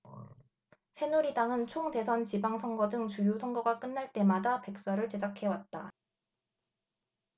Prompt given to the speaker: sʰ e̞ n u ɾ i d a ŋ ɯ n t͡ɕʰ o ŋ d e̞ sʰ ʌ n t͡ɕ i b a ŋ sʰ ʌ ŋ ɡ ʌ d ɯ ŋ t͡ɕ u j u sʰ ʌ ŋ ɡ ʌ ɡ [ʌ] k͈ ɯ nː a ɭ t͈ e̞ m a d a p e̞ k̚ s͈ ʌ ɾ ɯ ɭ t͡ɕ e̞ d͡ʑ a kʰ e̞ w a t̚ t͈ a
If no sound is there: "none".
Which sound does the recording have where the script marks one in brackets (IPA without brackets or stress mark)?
a